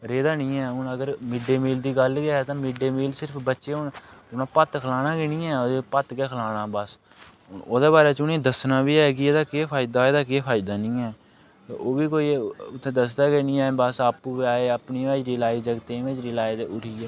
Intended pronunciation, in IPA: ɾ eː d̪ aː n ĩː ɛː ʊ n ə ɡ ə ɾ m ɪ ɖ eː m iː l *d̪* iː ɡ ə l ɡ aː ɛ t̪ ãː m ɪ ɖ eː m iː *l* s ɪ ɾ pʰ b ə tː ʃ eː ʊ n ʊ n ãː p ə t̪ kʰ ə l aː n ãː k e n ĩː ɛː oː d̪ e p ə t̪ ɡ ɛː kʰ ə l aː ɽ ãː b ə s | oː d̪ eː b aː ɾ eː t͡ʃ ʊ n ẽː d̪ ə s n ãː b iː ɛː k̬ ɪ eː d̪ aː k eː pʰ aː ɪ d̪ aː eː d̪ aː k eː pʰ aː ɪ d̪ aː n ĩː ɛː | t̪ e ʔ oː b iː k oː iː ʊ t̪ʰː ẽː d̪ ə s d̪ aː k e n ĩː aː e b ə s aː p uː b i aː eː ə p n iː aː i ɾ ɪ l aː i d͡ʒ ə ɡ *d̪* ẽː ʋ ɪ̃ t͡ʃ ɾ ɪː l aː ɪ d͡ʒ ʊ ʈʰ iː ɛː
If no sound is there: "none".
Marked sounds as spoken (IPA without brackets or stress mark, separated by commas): d̪, l, t̪